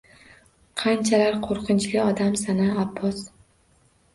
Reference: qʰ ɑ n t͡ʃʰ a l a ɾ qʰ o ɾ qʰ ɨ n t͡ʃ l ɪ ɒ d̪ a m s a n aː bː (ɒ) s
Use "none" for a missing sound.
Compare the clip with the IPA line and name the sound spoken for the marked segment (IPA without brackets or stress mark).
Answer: ɒ